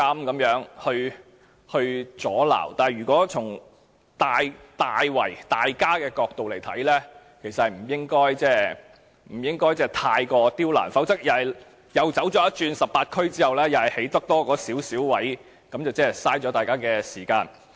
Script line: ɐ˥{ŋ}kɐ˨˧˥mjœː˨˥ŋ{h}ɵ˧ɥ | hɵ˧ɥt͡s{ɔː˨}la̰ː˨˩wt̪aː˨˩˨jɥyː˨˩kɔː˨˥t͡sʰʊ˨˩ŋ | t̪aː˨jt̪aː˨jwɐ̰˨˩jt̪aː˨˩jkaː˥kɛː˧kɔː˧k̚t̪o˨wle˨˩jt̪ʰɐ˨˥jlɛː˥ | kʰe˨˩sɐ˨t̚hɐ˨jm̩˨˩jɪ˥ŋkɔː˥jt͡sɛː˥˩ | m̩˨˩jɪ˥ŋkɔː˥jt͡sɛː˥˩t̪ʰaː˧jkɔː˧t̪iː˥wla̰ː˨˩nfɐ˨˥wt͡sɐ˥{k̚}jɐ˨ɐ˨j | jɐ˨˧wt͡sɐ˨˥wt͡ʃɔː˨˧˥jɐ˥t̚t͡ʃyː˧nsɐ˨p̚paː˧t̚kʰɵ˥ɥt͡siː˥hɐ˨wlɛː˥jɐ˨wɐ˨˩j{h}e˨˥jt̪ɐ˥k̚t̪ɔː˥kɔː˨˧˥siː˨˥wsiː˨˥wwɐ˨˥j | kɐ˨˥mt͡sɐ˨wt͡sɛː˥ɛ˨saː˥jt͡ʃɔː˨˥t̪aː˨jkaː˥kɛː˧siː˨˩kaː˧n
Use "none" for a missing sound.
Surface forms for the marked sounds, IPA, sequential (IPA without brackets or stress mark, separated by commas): m, h, ɔː˨˥, k̚, h